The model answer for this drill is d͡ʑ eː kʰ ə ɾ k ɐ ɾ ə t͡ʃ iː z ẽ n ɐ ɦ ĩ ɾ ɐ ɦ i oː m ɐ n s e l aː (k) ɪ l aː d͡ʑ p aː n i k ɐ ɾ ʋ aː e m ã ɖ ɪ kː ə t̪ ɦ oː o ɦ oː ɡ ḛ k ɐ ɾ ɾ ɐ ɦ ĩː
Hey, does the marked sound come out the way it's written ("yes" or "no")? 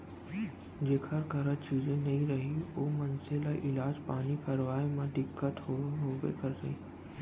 no